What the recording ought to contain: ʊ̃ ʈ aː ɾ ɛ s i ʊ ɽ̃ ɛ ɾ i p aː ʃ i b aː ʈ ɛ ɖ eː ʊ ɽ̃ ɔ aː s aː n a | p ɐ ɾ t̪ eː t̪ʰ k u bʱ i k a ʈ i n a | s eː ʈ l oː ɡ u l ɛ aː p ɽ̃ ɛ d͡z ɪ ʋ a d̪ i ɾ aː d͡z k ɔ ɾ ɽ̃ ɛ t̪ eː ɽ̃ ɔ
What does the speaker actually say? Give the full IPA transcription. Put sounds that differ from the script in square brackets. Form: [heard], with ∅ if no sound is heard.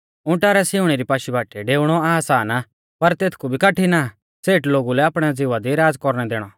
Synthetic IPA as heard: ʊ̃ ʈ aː ɾ ɛ s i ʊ ɽ̃ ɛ ɾ i p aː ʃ i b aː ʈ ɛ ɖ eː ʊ ɽ̃ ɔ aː s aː n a | p ɐ ɾ t̪ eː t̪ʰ k u bʱ i k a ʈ i n a | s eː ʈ l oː ɡ u l ɛ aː p ɽ̃ ɛ d͡z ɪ ʋ a d̪ i ɾ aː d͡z k ɔ ɾ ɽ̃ ɛ [d̪] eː ɽ̃ ɔ

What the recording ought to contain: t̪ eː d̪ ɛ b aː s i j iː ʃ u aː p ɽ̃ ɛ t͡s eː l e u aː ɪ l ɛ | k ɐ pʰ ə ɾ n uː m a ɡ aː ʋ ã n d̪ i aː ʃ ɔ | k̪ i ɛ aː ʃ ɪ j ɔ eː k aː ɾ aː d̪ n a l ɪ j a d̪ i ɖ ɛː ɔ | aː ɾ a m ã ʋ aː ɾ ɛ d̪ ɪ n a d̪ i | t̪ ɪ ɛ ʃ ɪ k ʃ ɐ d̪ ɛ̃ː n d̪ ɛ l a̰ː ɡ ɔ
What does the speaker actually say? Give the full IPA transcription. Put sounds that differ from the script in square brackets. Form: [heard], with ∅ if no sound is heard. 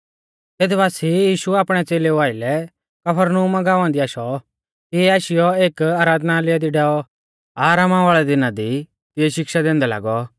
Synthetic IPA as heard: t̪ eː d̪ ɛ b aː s i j iː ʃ u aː p ɽ̃ ɛ t͡s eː l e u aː ɪ l ɛ | k ɐ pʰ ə ɾ n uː m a ɡ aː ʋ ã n d̪ i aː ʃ ɔ | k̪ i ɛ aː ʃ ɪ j ɔ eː k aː ɾ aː d̪ n a l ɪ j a d̪ i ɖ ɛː ɔ | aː ɾ a m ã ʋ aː [ɭ] ɛ d̪ ɪ n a d̪ i | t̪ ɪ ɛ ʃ ɪ k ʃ [a] d̪ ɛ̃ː n d̪ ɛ l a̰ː ɡ ɔ

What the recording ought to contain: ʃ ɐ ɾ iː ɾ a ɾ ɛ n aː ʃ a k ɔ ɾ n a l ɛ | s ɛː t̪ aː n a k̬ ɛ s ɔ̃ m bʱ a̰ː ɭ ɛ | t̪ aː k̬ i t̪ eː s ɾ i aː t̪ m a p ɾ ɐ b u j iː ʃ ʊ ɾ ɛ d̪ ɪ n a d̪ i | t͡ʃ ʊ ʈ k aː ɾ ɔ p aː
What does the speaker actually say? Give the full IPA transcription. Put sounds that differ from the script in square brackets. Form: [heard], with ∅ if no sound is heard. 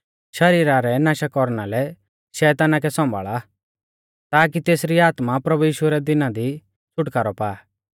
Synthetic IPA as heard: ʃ ɐ ɾ iː ɾ a ɾ ɛ n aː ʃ a k ɔ ɾ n a l ɛ | [ʃ] ɛː t̪ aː n a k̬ ɛ s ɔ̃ m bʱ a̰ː ɭ [a] | t̪ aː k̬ i t̪ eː s ɾ i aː t̪ m a p ɾ ɐ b u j iː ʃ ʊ ɾ ɛ d̪ ɪ n a d̪ i | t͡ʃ ʊ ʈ k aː ɾ ɔ p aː

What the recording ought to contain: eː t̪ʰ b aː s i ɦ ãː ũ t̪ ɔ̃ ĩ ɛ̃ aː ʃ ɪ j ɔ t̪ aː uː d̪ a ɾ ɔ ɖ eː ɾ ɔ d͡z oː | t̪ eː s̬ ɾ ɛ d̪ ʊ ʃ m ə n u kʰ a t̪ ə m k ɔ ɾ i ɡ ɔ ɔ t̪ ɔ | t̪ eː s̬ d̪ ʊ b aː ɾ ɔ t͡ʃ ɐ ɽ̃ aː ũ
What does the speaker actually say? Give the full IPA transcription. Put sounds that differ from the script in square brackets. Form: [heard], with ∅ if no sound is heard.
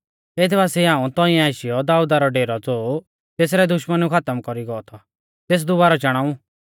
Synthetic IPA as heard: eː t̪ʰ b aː s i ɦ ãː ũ t̪ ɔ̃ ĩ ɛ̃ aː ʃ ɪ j ɔ [d̪] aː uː d̪ a ɾ ɔ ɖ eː ɾ ɔ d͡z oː | t̪ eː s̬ ɾ ɛ d̪ ʊ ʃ m ə n u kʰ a t̪ ə m k ɔ ɾ i ɡ ɔ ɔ [t̪ʰ] ɔ | t̪ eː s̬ d̪ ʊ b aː ɾ ɔ t͡ʃ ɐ ɽ̃ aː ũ

